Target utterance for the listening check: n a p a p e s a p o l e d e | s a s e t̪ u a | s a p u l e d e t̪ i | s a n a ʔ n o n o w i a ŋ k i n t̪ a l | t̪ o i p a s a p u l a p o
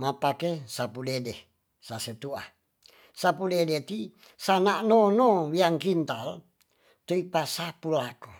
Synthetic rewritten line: m a p a k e s a p u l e d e | s a s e t̪ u a | s a p u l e d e t̪ i | s a n a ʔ n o n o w i a ŋ k i n t̪ a l | t̪ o i p a s a p u l a k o